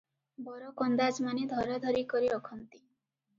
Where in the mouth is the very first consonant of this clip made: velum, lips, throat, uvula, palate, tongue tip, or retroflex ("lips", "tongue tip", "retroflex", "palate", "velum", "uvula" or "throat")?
lips